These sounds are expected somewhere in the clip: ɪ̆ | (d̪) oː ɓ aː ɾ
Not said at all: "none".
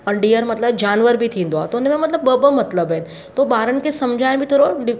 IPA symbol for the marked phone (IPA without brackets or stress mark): t̪